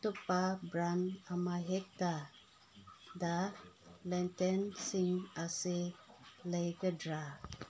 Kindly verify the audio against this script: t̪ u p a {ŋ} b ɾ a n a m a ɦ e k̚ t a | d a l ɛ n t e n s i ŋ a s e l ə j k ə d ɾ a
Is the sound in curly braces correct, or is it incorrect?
incorrect